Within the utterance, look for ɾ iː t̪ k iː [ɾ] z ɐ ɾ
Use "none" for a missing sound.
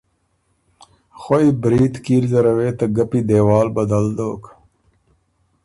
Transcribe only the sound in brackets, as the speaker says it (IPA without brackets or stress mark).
ɾ